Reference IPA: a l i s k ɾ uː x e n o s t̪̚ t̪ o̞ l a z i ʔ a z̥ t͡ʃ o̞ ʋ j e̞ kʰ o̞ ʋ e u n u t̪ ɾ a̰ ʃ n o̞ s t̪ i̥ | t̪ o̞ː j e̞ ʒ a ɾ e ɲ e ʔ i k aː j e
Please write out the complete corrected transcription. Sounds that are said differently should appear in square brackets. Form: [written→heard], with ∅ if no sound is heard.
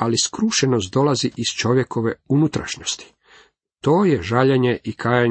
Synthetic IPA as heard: a l i s k ɾ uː [x→ʃ] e n o s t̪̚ [t̪→d̪] o̞ l a z i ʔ [a→i] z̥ t͡ʃ o̞ ʋ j e̞ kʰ o̞ ʋ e u n u t̪ ɾ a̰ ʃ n o̞ s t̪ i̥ | t̪ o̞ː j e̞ ʒ a [ɾ→ʎ] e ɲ e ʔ i k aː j [e→a]